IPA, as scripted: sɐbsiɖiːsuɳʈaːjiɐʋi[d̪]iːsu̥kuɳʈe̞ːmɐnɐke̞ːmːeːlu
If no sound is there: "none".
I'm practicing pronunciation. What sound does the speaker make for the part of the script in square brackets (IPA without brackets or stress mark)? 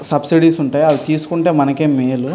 t̪